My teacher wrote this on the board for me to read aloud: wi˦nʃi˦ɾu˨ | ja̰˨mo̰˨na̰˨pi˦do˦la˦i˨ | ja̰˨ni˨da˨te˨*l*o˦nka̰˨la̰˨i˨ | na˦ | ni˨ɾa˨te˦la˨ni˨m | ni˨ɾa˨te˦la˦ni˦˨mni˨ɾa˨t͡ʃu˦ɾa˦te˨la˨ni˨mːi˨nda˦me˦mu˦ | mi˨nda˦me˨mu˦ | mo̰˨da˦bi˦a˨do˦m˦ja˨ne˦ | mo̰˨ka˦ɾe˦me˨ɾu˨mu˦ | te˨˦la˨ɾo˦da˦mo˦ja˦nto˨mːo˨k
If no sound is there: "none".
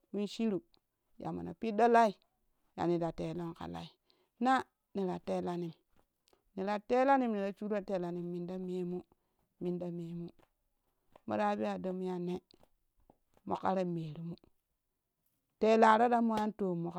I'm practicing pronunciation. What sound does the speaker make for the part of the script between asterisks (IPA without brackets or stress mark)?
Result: l